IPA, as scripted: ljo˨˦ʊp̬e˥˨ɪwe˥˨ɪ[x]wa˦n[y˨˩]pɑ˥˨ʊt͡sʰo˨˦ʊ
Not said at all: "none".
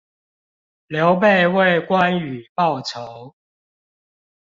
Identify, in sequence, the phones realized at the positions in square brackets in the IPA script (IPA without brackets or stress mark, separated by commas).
k, y˨˩